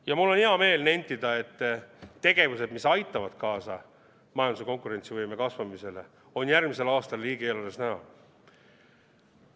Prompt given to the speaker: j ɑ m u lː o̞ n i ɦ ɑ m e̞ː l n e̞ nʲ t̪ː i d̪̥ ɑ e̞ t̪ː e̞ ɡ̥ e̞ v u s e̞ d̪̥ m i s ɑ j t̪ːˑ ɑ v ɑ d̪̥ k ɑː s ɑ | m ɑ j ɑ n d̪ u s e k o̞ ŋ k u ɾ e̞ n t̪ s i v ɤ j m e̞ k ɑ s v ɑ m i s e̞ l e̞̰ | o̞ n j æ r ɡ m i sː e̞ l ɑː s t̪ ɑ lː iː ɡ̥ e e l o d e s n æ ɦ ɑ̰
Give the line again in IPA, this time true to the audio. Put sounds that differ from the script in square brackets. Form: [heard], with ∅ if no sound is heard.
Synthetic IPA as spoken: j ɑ m u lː o̞ n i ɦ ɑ m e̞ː l n e̞ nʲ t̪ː i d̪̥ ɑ e̞ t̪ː e̞ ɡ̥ e̞ v u s e̞ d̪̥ m i s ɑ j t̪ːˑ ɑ v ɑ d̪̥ k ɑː s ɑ | m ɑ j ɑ n d̪ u s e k o̞ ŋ k u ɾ e̞ n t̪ s i v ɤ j m e̞ k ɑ s v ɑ m i s e̞ l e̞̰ | o̞ n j æ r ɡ m i [s] e̞ l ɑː s t̪ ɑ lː iː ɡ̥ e e l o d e s n æ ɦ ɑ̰